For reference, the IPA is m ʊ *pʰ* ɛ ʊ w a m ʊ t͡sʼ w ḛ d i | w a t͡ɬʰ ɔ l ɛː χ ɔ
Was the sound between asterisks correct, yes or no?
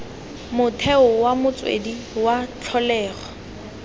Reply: no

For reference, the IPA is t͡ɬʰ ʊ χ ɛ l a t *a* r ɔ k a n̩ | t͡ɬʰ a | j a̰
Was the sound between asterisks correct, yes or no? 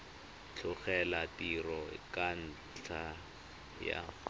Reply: no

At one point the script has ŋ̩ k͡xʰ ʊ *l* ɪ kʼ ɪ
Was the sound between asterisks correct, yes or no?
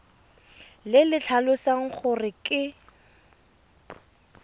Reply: no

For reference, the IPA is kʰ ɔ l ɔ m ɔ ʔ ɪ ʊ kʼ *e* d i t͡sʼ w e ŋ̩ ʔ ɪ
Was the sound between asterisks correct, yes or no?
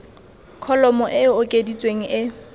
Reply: yes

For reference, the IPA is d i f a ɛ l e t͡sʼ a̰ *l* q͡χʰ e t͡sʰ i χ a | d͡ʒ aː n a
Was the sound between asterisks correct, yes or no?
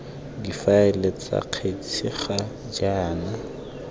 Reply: no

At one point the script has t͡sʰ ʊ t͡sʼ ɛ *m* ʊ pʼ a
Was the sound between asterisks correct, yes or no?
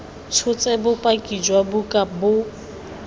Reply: no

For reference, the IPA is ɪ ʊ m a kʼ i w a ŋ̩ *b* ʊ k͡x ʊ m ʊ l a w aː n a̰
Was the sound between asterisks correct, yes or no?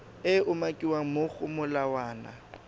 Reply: no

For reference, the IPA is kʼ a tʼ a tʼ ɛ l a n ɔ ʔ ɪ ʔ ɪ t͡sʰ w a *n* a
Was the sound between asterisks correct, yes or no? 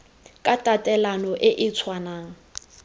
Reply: yes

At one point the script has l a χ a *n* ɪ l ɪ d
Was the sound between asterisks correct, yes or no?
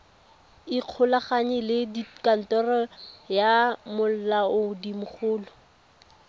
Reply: no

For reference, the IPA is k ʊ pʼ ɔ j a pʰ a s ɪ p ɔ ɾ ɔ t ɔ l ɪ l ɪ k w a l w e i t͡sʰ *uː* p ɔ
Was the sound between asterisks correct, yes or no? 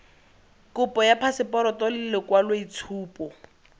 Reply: yes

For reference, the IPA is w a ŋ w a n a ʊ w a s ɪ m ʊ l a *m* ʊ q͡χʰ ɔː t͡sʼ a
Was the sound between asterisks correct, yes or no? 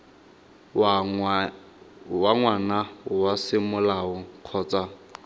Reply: no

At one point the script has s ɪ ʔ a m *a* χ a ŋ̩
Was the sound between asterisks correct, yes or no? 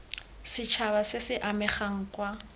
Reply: no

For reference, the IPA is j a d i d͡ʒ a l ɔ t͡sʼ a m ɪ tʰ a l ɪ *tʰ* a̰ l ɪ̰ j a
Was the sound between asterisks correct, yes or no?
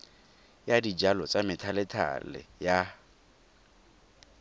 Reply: yes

